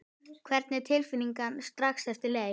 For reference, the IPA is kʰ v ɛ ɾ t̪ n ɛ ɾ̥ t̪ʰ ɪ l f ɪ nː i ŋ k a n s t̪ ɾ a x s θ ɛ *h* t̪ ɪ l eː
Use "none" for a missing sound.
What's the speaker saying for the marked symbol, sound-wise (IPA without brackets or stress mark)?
f